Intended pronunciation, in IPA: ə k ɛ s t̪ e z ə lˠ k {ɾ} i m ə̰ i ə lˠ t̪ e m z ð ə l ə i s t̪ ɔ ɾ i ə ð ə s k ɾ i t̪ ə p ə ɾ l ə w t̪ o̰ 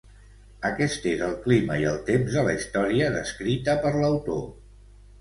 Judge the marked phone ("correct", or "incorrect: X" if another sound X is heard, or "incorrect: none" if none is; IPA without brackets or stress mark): incorrect: l